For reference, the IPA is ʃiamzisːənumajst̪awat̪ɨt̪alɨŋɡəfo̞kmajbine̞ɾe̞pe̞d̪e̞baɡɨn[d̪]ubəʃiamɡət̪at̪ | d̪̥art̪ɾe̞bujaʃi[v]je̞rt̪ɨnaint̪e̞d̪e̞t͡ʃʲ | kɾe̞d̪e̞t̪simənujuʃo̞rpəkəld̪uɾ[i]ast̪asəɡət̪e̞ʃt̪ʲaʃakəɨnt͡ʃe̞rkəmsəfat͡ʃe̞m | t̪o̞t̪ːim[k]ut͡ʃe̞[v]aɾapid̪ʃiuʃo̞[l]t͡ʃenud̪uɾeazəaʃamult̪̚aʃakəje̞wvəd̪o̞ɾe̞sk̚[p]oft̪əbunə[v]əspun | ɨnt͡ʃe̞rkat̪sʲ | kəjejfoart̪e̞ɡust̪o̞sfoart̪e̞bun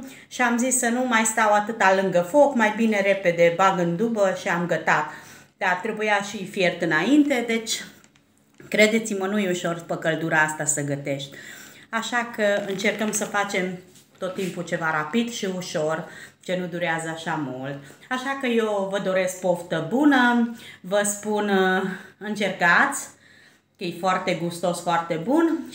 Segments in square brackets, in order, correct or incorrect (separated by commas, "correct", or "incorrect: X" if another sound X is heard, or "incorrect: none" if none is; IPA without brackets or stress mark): correct, incorrect: f, incorrect: a, incorrect: p, correct, incorrect: r, correct, correct